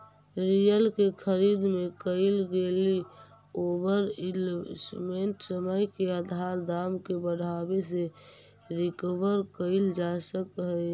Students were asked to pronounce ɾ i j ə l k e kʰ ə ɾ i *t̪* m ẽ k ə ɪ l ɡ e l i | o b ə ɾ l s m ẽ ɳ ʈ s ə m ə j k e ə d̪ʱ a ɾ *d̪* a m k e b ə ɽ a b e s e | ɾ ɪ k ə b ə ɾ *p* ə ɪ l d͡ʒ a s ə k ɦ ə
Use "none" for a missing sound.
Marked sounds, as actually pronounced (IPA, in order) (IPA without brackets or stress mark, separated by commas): d̪, d̪, k